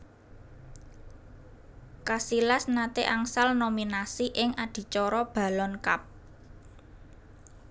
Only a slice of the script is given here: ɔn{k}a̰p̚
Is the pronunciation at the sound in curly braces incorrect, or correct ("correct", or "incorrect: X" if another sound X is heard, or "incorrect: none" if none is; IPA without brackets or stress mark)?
correct